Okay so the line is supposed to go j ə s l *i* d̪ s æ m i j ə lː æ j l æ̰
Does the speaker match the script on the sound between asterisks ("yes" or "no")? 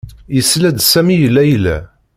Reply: no